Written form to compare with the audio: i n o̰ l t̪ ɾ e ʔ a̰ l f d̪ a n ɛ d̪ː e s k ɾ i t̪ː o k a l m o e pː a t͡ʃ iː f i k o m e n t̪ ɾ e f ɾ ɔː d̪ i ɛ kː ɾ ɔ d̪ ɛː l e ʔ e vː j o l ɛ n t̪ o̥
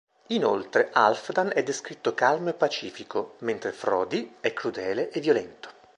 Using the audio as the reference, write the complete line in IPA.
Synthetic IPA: i n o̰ l t̪ ɾ e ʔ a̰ l f d̪ a n ɛ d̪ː e s k ɾ i t̪ː o k a l m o e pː a t͡ʃ iː f i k o m e n t̪ ɾ e f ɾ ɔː d̪ i ɛ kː ɾ u d̪ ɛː l e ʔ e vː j o l ɛ n t̪ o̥